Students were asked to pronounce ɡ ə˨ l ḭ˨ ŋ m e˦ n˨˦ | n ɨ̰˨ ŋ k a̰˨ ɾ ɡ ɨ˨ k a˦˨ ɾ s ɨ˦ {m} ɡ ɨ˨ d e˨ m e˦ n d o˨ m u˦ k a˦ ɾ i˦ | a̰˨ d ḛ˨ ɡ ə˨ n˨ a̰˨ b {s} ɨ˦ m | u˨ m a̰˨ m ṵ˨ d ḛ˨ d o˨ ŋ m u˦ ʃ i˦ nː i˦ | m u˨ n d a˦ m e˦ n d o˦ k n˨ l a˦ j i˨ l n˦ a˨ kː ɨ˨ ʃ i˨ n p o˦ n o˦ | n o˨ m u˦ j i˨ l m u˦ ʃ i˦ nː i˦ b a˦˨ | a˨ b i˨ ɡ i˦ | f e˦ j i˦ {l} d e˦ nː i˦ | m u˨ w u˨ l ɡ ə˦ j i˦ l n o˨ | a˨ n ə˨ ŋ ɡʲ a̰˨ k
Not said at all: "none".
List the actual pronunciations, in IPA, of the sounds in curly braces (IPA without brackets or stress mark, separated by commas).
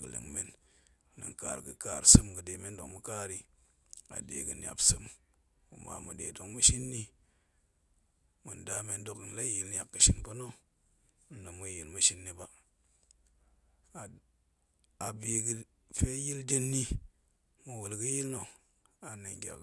m, s, l